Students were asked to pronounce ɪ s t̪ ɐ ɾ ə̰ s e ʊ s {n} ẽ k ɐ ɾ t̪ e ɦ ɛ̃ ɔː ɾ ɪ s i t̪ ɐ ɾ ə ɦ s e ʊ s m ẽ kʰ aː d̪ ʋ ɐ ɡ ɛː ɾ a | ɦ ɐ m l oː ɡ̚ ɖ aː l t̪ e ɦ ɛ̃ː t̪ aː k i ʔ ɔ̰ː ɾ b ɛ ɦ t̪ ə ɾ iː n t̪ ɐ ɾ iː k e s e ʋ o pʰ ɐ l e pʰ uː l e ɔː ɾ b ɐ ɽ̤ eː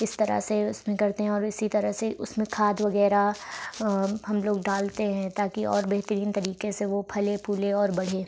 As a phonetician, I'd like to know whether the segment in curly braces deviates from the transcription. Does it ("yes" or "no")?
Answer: yes